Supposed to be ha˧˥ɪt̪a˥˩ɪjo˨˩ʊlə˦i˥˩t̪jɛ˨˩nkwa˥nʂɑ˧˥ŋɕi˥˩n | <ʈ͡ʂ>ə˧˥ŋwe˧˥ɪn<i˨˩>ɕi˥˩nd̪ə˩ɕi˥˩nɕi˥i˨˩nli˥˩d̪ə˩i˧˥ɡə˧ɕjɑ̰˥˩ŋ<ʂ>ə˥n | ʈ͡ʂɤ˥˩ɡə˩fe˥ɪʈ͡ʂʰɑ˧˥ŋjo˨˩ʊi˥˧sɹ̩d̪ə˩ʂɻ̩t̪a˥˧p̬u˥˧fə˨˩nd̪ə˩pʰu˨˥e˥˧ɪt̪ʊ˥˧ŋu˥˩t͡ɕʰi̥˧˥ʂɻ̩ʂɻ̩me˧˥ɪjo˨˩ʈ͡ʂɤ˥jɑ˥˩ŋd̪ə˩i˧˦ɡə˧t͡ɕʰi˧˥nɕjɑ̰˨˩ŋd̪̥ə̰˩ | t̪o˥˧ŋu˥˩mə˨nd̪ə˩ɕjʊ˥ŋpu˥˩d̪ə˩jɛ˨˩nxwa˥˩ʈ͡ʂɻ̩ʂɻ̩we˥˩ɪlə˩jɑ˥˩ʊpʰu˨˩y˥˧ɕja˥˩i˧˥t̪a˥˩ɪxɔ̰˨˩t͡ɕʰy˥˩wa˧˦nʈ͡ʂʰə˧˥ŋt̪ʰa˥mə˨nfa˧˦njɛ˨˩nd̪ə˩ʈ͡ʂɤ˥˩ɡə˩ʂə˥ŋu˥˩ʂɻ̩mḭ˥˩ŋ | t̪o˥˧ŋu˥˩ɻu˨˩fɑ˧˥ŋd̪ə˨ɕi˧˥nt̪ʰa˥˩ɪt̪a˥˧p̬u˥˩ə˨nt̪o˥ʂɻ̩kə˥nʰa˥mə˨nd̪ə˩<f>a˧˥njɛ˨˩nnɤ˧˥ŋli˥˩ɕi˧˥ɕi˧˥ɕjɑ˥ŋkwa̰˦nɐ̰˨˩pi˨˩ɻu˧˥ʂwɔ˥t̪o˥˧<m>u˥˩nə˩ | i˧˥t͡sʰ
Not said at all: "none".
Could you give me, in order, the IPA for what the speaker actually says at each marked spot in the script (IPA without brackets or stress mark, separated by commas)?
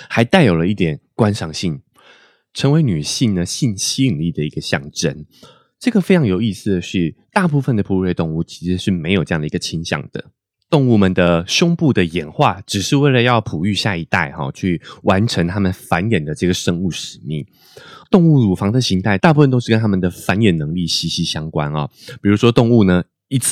ʈ͡ʂʰ, y˨˩, ʈ͡ʂ, f, ŋ